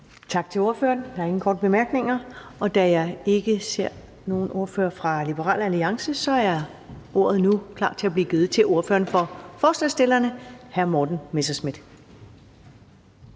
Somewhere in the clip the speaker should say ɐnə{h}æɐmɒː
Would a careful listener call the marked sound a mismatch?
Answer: no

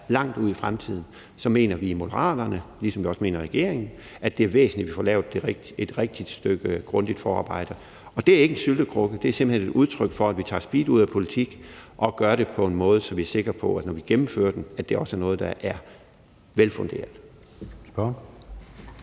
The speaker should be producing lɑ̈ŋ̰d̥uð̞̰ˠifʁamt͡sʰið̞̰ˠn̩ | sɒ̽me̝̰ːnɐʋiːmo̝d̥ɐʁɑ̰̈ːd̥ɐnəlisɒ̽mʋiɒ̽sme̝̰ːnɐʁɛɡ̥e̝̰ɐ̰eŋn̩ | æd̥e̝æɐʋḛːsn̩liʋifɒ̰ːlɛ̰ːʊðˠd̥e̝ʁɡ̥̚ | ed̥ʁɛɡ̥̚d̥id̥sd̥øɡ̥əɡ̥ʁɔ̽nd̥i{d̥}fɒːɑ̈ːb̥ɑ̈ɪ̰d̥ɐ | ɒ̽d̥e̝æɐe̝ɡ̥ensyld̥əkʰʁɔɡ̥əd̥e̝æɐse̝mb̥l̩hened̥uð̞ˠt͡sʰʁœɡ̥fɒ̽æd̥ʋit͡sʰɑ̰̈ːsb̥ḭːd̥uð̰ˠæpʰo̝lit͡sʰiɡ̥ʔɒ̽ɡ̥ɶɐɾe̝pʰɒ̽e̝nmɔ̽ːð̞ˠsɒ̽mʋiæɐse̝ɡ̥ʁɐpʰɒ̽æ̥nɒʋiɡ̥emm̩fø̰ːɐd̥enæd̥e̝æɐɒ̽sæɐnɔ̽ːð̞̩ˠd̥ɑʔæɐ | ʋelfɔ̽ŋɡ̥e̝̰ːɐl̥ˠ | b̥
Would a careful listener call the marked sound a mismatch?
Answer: no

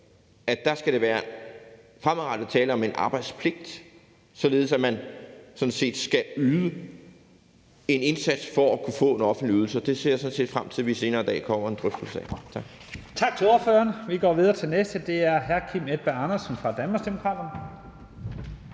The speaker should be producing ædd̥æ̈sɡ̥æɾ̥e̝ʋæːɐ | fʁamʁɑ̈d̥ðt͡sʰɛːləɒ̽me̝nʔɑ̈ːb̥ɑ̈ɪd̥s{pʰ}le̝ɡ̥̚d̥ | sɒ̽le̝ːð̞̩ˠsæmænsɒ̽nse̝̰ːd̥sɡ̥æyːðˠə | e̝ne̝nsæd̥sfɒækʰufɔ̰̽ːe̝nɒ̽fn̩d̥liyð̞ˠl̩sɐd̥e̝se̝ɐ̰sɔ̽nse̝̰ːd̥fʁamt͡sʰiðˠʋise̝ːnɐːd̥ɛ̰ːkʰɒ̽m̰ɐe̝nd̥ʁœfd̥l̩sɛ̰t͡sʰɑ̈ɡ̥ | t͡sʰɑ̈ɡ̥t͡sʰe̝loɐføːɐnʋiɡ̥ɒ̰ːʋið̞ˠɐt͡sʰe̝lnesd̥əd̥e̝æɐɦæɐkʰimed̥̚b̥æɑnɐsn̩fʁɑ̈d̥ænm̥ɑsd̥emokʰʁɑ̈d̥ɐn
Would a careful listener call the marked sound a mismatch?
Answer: no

